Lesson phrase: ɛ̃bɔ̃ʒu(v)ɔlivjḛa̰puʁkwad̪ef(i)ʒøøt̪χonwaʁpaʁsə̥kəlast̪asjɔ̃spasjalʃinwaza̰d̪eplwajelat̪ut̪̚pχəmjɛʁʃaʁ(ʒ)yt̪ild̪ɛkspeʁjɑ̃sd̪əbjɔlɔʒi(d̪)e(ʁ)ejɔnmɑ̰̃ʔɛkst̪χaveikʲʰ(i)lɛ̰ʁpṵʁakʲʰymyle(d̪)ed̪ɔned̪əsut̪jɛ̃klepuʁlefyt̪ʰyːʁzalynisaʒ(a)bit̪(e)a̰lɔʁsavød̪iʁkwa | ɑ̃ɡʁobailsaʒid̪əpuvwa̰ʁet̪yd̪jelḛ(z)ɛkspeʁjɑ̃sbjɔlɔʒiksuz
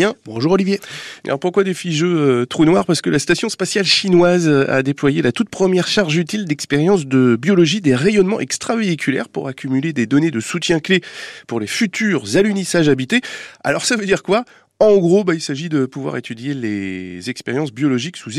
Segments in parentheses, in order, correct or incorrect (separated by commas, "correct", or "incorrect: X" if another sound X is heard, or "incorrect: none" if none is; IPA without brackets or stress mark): incorrect: ʁ, correct, correct, correct, correct, incorrect: y, correct, correct, correct, correct